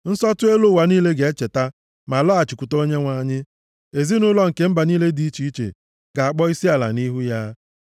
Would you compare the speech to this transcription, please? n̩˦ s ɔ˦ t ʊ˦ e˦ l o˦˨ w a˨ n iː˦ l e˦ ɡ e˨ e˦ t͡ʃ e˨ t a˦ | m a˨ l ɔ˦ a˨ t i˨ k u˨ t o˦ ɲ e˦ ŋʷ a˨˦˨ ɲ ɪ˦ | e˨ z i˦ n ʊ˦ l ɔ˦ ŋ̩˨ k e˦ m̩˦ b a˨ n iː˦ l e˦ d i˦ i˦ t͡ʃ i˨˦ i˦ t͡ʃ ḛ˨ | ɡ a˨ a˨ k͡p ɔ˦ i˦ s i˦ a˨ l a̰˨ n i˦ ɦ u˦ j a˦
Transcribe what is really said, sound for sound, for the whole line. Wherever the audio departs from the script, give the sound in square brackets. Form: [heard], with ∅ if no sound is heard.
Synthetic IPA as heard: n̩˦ s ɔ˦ t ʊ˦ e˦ l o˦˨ w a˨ n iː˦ l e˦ ɡ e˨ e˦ t͡ʃ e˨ t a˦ | m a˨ l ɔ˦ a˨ [t͡ʃ] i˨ k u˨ t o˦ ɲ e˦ ŋʷ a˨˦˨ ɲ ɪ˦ | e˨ z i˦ n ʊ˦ l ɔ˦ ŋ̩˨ k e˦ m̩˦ b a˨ n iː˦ l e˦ d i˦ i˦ t͡ʃ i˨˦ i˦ t͡ʃ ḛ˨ | ɡ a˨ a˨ k͡p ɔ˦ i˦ s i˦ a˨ l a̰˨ n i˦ ɦ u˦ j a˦

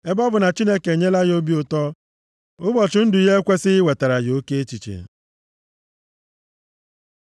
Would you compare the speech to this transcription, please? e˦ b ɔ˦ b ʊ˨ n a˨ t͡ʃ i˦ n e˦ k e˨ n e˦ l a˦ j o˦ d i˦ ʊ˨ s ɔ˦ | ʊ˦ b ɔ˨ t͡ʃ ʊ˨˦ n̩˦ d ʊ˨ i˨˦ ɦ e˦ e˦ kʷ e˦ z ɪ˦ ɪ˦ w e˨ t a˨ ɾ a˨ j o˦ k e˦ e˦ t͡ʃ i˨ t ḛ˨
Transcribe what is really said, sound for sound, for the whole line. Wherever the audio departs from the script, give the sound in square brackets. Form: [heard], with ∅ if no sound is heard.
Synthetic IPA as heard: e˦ b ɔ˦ b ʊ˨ n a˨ t͡ʃ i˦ n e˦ k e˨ [ɲ] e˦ l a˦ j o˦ [b] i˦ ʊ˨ [t] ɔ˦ | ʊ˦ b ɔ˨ t͡ʃ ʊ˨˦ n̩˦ d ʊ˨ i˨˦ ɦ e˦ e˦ kʷ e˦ [s] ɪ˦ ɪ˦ w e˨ t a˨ ɾ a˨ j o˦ k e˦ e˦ t͡ʃ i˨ [t͡ʃ] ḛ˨

